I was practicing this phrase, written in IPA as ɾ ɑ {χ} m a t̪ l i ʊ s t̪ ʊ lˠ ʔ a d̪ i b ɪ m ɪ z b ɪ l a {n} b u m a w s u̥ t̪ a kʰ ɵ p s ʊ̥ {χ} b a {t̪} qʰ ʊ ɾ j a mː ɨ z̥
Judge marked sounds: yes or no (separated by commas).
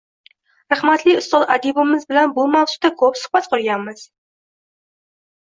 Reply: yes, yes, yes, yes